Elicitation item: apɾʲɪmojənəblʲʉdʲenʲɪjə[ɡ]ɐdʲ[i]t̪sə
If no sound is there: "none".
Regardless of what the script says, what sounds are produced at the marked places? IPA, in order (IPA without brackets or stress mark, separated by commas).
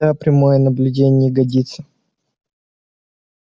ɡ, i